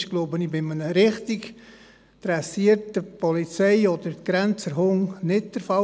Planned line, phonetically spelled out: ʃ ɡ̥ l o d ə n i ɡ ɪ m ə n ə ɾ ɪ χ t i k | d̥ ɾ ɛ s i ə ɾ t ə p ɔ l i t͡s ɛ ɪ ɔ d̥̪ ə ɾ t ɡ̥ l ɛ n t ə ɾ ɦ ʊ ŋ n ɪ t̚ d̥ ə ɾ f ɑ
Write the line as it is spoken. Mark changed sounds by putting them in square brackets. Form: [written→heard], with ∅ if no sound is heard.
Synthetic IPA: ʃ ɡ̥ l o [d→b] ə n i [ɡ→b] ɪ m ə n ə ɾ ɪ χ t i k | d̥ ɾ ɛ s i ə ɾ t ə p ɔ l i t͡s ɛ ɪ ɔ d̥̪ ə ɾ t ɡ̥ [l→ɾ] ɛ n [t→t͡s] ə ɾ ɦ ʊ ŋ n ɪ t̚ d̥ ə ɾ f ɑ